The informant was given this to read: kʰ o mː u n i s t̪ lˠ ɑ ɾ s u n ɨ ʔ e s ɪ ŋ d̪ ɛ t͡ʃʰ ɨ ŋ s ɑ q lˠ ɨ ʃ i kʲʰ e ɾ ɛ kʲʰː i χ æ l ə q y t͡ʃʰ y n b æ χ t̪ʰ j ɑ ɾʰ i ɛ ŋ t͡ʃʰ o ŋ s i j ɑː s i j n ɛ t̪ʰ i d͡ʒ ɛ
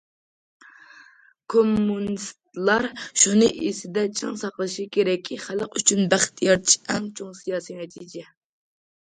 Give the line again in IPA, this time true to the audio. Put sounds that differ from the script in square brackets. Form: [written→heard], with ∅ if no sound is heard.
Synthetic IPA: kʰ o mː u n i s t̪ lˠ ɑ ɾ [s→ʃ] u n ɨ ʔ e s ɪ [ŋ→∅] d̪ ɛ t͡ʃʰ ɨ ŋ s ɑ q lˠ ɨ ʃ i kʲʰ e ɾ ɛ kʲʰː i χ æ l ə q y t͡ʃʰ y n b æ χ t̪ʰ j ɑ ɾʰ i ɛ ŋ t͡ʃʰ o ŋ s i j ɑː s i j n ɛ t̪ʰ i d͡ʒ ɛ

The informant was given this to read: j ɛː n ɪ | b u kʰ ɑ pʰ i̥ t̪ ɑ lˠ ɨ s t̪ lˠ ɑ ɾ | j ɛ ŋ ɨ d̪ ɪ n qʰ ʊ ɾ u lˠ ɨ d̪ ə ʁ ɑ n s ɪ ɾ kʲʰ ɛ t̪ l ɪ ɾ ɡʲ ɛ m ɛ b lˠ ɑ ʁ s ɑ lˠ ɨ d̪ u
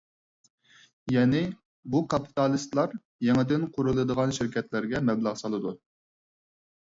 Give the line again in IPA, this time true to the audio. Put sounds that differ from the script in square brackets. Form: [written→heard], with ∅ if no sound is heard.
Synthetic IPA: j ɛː n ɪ | b u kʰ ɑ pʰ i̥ t̪ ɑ lˠ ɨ s t̪ lˠ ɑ ɾ | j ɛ ŋ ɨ d̪ ɪ n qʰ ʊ ɾ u lˠ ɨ d̪ ə ʁ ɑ n [s→ʃ] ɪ ɾ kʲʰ ɛ t̪ l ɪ ɾ ɡʲ ɛ m ɛ b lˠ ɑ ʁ s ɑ lˠ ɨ d̪ u

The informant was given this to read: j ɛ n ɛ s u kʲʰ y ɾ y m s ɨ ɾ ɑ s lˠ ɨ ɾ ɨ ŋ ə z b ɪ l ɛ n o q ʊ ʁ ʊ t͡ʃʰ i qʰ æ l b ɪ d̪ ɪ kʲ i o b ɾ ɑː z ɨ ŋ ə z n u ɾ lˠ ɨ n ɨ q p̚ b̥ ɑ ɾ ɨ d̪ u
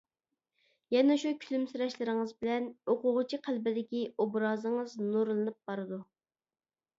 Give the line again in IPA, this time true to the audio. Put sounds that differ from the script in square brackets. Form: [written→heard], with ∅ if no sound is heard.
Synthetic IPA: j ɛ n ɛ [s→ʃ] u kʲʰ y [ɾ→l] y m s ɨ ɾ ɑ [s→ʃ] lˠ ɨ ɾ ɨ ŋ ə z b ɪ l ɛ n o q ʊ ʁ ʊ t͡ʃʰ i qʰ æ l b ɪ d̪ ɪ kʲ i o b ɾ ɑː z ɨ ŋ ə z n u ɾ lˠ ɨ n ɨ [q→∅] p̚ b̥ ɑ ɾ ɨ d̪ u

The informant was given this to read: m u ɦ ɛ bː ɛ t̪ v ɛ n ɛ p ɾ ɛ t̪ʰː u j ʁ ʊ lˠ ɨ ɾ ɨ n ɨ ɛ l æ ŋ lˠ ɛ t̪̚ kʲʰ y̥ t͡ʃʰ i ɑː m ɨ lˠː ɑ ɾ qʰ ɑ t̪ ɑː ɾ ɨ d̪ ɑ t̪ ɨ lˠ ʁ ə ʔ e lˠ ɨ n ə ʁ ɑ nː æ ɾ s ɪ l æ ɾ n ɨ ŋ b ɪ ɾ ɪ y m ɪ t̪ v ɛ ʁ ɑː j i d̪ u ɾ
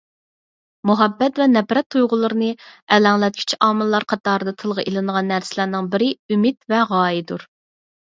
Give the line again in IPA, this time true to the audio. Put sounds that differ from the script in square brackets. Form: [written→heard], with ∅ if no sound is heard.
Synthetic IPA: m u ɦ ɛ bː ɛ t̪ v ɛ n ɛ p ɾ ɛ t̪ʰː u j ʁ ʊ lˠ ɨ ɾ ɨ n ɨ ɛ l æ ŋ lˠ ɛ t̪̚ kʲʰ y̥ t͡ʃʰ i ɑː m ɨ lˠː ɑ ɾ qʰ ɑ t̪ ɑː ɾ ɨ d̪ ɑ [t̪→t̪ʰ] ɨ lˠ ʁ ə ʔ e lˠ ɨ n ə ʁ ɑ nː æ ɾ s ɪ l æ ɾ n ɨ ŋ b ɪ ɾ ɪ y m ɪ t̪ v ɛ ʁ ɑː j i d̪ u ɾ

